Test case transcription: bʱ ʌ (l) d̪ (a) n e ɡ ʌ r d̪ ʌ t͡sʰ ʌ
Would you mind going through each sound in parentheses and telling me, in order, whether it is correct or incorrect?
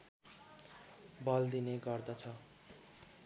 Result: correct, incorrect

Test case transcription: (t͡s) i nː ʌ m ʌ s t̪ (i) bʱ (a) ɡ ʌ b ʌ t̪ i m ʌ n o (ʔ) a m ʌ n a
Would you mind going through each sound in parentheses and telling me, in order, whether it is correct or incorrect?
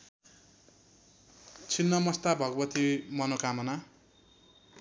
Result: incorrect, incorrect, incorrect, incorrect

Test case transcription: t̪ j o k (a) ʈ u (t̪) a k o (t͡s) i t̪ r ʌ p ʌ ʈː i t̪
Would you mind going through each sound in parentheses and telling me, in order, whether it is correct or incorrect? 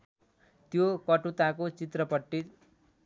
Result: incorrect, correct, correct

